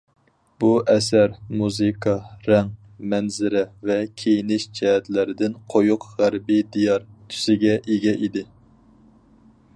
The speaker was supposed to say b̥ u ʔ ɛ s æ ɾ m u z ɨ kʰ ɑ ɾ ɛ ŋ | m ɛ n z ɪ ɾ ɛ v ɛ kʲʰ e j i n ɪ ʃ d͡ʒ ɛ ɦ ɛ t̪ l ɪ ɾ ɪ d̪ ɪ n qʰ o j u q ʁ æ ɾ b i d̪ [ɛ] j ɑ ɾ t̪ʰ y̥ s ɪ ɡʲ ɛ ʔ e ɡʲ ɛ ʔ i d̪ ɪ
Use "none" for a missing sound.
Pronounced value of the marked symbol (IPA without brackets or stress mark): i